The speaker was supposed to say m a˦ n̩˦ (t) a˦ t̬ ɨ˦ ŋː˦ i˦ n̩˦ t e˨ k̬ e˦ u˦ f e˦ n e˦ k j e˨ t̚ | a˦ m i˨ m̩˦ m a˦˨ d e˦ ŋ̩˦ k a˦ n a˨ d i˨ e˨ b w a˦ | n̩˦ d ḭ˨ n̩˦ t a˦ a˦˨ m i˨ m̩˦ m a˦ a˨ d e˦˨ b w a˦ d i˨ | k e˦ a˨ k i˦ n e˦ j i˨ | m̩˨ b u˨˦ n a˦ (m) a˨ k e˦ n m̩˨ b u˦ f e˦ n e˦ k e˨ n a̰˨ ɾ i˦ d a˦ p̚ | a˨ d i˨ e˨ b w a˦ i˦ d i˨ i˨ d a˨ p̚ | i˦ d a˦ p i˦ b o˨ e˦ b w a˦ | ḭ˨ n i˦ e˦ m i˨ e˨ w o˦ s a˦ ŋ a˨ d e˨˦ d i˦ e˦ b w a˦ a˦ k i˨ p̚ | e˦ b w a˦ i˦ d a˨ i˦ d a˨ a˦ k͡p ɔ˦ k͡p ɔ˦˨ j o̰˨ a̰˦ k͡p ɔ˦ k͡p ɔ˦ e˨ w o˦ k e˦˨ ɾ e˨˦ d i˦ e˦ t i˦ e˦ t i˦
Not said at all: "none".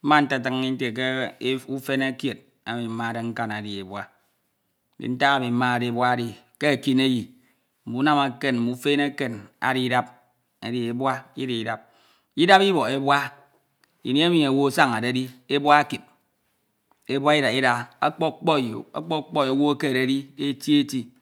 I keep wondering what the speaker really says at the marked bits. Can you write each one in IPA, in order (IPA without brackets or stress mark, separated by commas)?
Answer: t, m